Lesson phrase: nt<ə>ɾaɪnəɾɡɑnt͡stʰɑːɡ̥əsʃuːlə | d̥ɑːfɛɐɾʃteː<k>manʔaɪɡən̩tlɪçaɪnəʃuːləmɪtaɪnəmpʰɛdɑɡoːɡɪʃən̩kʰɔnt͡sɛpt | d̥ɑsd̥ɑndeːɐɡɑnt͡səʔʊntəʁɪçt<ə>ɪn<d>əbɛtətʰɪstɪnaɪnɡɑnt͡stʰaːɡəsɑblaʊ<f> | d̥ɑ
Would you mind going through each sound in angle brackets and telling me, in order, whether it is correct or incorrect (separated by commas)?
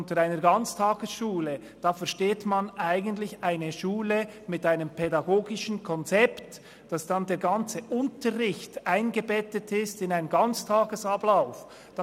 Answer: correct, incorrect, incorrect, incorrect, correct